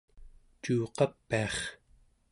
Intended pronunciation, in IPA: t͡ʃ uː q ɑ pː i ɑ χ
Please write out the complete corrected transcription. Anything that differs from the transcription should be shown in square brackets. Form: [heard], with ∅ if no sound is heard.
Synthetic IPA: t͡ʃ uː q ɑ pː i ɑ χ